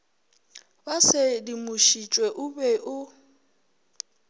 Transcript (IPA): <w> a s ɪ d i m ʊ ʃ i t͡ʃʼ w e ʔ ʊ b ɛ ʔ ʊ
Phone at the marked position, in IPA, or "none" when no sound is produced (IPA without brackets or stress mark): b